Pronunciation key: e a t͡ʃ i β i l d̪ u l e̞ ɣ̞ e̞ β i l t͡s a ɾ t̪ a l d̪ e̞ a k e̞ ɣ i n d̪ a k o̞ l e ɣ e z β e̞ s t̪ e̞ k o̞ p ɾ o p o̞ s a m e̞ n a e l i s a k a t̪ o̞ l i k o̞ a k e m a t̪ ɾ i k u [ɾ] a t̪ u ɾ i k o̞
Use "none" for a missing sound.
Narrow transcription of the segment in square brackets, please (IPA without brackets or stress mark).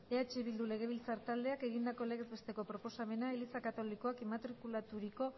l